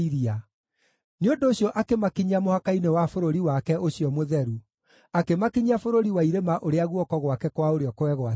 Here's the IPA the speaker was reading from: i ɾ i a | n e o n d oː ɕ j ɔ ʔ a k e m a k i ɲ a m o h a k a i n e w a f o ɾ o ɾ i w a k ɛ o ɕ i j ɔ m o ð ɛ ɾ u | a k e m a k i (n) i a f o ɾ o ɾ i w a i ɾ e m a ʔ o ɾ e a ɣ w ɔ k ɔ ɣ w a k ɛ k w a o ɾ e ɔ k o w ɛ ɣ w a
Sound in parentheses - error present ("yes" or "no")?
yes